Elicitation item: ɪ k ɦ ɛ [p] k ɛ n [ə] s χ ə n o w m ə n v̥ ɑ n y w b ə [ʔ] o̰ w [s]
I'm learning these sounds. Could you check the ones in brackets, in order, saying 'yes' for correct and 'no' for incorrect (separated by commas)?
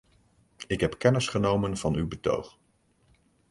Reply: yes, yes, no, no